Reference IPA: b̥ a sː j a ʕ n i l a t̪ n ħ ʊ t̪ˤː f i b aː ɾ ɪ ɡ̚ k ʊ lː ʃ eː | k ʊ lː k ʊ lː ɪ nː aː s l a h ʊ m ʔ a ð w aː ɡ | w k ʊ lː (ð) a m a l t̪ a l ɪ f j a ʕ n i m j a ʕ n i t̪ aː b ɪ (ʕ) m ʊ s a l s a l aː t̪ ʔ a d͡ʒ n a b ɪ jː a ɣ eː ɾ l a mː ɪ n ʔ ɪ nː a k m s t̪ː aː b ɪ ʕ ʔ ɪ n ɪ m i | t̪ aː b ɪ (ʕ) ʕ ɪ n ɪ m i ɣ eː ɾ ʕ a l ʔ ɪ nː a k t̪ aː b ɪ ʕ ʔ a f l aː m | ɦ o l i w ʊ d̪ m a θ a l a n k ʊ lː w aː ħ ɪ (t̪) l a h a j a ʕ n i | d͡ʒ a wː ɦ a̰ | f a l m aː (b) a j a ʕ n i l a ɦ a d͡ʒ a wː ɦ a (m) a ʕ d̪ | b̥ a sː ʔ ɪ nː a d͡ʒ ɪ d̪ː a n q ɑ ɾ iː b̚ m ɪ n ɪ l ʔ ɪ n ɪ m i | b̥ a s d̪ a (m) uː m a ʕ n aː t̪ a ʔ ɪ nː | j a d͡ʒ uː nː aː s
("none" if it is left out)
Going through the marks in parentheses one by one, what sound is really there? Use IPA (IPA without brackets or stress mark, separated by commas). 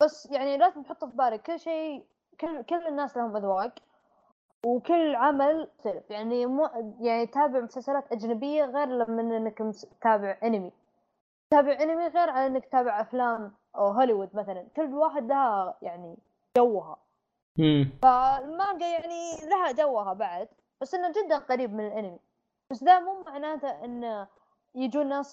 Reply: ʕ, ʕ, ʕ, d̪, ɡ, b, m